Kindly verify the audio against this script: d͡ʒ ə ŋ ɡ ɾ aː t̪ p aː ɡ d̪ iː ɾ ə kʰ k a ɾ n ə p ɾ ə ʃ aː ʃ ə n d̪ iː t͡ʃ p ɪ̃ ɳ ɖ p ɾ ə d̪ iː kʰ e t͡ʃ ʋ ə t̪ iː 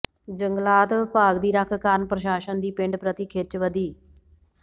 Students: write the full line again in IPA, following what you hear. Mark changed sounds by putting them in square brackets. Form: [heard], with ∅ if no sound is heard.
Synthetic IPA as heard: d͡ʒ ə ŋ ɡ [l] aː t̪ p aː ɡ d̪ iː ɾ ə kʰ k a ɾ n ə p ɾ ə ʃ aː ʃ ə n d̪ iː [∅] p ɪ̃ ɳ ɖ p ɾ ə [t̪] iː kʰ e t͡ʃ ʋ ə [d̪] iː